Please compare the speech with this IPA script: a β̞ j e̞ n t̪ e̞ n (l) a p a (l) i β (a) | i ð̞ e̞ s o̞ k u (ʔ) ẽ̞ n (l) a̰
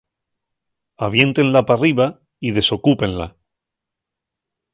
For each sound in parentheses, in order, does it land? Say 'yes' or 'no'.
yes, no, yes, no, yes

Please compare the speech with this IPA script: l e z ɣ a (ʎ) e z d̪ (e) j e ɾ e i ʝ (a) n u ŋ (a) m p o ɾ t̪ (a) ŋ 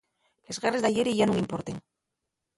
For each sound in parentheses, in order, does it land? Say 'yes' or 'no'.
no, no, yes, no, no

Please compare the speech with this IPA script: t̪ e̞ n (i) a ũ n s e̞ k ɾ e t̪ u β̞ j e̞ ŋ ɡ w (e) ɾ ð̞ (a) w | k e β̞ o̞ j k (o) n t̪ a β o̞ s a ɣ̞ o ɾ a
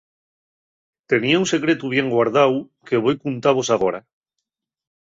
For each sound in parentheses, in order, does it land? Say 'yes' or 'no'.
yes, no, yes, no

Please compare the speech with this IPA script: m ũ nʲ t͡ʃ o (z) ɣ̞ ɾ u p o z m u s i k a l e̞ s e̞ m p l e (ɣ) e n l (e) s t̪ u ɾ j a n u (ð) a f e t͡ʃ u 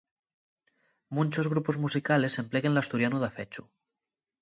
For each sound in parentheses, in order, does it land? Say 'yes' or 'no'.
yes, yes, no, yes

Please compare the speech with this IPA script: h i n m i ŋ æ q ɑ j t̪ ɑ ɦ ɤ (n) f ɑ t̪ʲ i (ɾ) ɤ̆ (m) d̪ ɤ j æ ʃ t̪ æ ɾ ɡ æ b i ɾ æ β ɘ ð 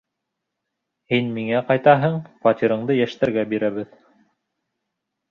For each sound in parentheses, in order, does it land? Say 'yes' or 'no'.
no, yes, no

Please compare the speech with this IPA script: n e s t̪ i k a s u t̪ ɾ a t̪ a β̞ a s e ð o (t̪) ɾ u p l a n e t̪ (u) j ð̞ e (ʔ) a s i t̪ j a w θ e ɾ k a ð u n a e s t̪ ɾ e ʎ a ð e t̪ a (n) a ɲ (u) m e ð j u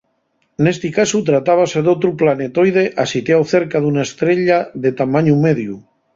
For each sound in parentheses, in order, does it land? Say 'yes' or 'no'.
yes, no, yes, no, yes

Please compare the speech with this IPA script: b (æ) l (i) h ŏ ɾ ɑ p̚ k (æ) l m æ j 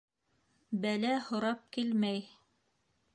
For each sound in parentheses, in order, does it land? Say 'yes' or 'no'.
yes, no, no

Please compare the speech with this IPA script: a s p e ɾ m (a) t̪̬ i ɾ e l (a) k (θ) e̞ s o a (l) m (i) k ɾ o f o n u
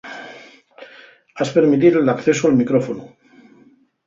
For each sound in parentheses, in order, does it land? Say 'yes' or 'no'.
no, yes, yes, yes, yes

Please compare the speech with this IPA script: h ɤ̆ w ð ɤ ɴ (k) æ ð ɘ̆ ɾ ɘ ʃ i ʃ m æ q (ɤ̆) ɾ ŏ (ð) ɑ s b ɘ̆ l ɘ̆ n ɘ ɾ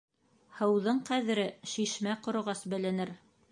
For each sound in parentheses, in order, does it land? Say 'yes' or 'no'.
no, no, no

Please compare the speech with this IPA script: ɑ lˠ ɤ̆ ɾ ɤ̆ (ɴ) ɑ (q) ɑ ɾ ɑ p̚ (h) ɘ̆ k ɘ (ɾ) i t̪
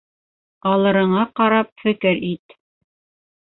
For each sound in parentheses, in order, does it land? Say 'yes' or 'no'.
yes, yes, no, yes

